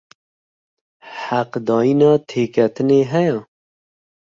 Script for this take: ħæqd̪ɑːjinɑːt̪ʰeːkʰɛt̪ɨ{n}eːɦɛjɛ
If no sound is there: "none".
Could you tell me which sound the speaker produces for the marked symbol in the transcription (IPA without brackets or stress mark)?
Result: n